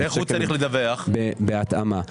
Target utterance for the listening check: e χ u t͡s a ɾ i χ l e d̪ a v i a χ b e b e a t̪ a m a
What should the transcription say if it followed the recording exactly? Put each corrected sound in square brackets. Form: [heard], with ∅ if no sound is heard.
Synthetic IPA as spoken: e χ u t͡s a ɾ i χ l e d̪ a v [e] a χ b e b e a t̪ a m a